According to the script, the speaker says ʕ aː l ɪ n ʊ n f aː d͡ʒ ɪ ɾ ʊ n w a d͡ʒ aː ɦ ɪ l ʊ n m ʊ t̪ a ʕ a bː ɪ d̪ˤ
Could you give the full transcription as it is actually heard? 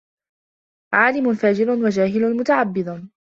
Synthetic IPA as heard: ʕ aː l ɪ m ʊ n f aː d͡ʒ ɪ ɾ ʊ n w a d͡ʒ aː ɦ ɪ l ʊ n m ʊ t̪ a ʕ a bː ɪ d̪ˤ